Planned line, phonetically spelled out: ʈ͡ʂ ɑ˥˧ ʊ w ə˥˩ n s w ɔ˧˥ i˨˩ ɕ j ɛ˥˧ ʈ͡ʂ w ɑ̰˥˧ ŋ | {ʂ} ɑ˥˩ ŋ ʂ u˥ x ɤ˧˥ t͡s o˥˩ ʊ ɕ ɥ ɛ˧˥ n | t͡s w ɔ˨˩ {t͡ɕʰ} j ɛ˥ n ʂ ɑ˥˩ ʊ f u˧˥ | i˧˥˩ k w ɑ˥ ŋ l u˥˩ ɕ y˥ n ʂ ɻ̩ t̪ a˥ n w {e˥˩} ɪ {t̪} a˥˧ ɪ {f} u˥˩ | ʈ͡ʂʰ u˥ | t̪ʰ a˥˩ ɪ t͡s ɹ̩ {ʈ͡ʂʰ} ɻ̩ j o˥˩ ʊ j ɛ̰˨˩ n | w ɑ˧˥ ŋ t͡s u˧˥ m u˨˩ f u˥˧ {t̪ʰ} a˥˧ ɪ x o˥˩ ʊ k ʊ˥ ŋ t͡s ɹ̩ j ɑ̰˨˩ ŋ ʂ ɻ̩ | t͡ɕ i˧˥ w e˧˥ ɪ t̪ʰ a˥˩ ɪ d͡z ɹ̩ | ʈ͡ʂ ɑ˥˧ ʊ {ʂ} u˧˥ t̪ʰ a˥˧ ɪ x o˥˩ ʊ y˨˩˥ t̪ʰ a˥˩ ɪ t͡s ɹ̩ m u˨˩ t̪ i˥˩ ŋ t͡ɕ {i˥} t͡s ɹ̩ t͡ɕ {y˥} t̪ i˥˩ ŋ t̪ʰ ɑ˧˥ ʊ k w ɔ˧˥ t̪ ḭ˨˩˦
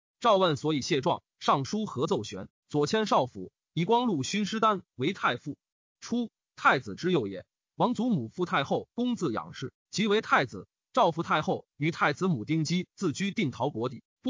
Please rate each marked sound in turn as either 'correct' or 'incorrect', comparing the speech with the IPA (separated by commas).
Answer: correct, correct, incorrect, incorrect, correct, incorrect, correct, incorrect, correct, correct